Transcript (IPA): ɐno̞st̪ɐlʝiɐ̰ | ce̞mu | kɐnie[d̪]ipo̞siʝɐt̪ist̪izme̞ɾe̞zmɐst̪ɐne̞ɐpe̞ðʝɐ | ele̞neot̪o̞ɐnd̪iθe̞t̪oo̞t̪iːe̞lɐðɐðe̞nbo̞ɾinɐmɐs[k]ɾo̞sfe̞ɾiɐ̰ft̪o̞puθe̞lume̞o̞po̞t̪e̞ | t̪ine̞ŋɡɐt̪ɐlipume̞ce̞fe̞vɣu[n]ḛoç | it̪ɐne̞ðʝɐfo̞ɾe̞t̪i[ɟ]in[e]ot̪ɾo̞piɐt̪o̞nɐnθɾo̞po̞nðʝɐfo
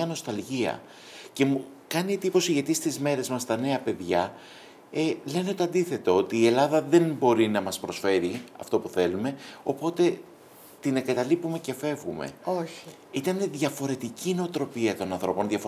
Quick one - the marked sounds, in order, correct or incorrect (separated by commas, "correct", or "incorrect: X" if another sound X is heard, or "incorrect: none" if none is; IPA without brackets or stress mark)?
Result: incorrect: t̪, incorrect: p, incorrect: m, incorrect: c, correct